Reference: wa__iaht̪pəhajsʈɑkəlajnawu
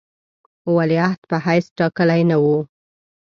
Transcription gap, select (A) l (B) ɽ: A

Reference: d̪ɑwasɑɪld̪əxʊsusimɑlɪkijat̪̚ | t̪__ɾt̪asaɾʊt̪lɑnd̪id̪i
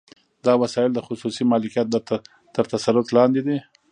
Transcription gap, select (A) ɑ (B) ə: B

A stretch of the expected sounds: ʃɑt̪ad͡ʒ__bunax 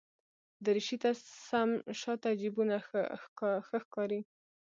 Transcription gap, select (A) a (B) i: B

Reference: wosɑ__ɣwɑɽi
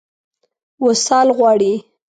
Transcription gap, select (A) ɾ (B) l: B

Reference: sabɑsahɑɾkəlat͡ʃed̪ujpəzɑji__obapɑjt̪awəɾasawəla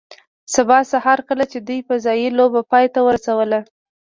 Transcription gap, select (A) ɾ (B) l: B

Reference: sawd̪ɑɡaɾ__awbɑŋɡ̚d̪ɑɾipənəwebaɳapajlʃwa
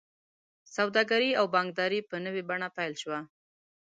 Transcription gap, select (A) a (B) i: B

